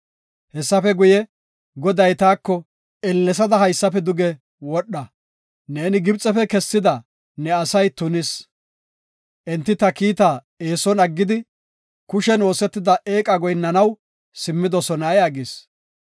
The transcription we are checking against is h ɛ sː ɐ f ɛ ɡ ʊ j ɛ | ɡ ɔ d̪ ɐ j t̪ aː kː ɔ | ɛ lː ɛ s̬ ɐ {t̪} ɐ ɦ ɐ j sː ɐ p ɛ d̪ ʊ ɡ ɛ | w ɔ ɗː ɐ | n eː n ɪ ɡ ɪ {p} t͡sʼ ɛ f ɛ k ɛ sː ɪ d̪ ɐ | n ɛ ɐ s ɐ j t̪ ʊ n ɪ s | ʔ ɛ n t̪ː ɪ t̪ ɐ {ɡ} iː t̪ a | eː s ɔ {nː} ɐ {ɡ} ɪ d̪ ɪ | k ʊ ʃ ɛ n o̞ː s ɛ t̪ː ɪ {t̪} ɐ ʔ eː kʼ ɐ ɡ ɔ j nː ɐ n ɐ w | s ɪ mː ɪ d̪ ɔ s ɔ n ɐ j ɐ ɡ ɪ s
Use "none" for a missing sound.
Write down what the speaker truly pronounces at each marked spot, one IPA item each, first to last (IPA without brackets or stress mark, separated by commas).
d̪, b, k, n, ɡː, d̪